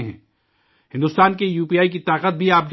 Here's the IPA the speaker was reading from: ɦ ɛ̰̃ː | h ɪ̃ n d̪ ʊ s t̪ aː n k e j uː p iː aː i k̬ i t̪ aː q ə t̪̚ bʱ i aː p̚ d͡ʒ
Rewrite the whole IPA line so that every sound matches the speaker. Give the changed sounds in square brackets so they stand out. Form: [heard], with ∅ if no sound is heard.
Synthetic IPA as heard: ɦ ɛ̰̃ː | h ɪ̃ n d̪ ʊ s t̪ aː n k e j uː p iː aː i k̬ i t̪ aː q ə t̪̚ bʱ i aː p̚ d͡ʒ

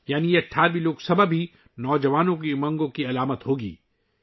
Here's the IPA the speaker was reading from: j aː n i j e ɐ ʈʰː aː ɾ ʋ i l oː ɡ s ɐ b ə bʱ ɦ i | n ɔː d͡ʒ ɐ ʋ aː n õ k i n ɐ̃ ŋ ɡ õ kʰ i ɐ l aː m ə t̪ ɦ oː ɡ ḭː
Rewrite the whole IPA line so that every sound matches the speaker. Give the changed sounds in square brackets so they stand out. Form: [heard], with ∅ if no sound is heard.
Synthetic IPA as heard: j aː n i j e ɐ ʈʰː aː ɾ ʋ i l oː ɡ s ɐ b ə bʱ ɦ i | n ɔː d͡ʒ ɐ ʋ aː n õ k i [m] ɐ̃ ŋ ɡ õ [k] i ɐ l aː m ə t̪ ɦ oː ɡ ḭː

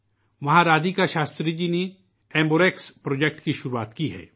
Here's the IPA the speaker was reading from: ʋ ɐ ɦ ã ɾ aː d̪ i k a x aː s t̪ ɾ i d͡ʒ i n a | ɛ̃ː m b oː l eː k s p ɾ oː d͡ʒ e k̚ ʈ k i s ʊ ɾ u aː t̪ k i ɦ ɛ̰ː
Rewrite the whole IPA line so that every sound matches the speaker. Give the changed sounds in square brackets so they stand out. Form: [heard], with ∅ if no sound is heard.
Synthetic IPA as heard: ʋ ɐ ɦ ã ɾ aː d̪ i k a [ʃ] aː s t̪ ɾ i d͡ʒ i n [e] | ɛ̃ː m b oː [ɾ] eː k s p ɾ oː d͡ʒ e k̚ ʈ k i [ʃ] ʊ ɾ u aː t̪ k i ɦ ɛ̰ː

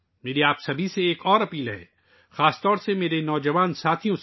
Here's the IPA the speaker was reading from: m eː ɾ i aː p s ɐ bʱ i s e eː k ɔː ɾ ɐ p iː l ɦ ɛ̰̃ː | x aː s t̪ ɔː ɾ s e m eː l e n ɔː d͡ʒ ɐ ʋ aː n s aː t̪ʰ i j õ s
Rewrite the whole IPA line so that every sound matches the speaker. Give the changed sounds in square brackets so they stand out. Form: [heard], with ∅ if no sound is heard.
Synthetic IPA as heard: m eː ɾ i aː p s ɐ bʱ i s e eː k ɔː ɾ ɐ p iː l ɦ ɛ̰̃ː | x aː s t̪ ɔː ɾ s e m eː [ɾ] e n ɔː d͡ʒ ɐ ʋ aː n s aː t̪ʰ i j õ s

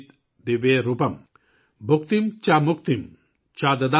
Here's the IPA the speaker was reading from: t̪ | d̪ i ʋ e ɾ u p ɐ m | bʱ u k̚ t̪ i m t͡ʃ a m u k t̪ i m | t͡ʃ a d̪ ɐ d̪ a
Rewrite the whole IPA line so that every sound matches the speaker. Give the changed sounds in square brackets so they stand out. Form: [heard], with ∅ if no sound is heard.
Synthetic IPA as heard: t̪ | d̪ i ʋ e ɾ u p ɐ m | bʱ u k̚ t̪ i m t͡ʃ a m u k t̪ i m | t͡ʃ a d̪ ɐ d̪ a

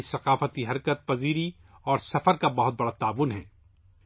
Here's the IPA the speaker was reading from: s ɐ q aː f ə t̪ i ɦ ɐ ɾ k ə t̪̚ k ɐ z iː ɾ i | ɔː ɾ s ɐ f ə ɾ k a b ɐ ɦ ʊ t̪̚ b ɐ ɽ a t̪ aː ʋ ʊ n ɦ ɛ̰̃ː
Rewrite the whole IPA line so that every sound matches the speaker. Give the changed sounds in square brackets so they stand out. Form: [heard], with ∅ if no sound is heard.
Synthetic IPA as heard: s ɐ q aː f ə t̪ i ɦ ɐ ɾ k ə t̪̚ [p] ɐ z iː ɾ i | ɔː ɾ s ɐ f ə ɾ k a b ɐ ɦ ʊ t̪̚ b ɐ ɽ a t̪ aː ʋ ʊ n ɦ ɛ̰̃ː

